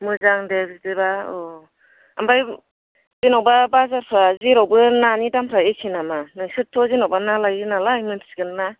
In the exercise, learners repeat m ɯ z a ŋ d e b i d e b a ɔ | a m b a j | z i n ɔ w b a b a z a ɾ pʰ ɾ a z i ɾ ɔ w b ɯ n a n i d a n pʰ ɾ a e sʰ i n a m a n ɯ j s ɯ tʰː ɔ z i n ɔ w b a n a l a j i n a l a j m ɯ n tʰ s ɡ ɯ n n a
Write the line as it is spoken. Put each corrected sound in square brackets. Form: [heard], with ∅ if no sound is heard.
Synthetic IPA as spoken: m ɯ z a ŋ d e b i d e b a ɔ | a m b a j | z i n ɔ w b a b a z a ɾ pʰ ɾ a z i ɾ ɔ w b ɯ n a n i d a [m] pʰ ɾ a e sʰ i n a m a n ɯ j s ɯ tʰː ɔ z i n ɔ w b a n a l a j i n a l a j m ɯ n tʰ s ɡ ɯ n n a